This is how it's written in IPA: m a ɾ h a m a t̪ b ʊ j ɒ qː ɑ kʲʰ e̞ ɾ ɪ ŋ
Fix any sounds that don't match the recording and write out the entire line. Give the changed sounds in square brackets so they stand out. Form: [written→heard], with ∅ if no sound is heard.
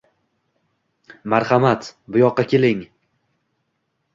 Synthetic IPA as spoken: m a ɾ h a m a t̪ b ʊ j ɒ qː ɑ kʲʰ e̞ [ɾ→l] ɪ ŋ